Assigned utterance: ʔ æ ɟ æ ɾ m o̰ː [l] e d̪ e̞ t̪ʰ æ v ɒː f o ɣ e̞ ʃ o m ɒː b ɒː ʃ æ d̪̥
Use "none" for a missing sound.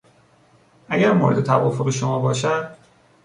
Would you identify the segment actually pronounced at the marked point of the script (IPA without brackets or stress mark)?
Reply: ɾ